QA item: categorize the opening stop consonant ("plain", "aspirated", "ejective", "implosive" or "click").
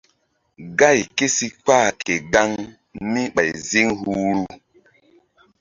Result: plain